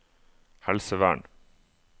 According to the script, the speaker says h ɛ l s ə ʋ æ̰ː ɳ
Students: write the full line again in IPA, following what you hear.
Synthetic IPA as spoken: h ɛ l s ə ʋ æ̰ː ɳ